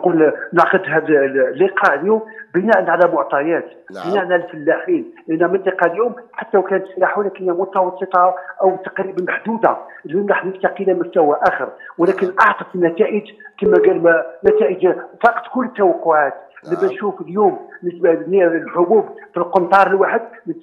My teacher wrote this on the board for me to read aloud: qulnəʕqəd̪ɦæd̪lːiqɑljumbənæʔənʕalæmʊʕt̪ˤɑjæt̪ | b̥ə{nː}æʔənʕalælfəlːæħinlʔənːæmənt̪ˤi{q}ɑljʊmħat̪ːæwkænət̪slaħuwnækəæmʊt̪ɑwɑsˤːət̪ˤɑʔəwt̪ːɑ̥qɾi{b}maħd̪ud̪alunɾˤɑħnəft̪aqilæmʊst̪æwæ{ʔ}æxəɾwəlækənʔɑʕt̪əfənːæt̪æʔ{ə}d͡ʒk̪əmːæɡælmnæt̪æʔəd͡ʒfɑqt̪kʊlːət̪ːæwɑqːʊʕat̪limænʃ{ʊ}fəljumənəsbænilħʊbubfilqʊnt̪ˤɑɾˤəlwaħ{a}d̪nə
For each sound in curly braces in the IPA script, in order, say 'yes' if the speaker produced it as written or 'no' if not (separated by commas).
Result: no, yes, yes, yes, yes, no, no